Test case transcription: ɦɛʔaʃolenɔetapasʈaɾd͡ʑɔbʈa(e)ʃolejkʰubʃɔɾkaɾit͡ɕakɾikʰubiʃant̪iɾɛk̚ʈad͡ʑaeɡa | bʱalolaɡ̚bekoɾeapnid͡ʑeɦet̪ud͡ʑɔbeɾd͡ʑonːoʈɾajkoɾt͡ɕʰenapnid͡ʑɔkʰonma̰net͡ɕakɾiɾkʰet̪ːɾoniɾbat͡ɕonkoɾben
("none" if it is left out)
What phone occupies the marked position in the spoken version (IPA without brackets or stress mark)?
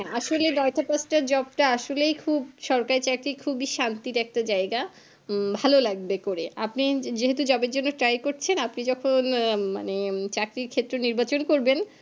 a